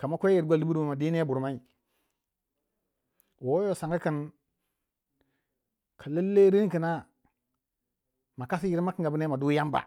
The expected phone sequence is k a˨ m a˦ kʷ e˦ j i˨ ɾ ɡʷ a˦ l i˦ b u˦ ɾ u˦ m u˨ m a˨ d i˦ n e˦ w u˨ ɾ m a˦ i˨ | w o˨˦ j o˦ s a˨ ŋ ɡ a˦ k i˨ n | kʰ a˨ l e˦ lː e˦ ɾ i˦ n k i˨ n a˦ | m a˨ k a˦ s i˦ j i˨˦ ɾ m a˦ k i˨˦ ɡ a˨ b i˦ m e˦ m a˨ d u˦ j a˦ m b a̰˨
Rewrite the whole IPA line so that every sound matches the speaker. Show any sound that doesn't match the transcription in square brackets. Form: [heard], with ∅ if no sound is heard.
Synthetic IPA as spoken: k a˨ m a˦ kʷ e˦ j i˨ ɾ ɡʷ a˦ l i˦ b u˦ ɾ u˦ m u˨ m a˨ d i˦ n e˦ [b] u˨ ɾ m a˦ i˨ | w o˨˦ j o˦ s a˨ ŋ ɡ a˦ k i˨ n | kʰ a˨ l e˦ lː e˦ ɾ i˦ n k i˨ n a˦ | m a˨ k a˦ s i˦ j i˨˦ ɾ m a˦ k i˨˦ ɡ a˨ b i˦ [n] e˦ m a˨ d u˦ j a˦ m b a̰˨